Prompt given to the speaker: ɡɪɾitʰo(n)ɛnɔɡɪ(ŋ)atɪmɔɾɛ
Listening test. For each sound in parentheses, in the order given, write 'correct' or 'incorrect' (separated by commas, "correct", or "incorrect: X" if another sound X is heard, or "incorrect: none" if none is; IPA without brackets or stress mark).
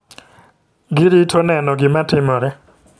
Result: correct, incorrect: m